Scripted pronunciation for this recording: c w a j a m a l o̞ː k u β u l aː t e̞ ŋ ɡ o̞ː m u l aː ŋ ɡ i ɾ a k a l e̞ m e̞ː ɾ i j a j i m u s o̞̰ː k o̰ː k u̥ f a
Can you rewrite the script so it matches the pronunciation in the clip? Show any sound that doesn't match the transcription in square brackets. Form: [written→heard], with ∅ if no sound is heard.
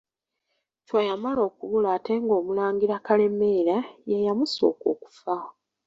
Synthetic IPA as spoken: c w a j a m a l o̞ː k u β u l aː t e̞ ŋ ɡ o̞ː m u l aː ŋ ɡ i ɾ a k a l e̞ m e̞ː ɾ [i→a] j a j [i→a] m u s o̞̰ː k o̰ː k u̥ f a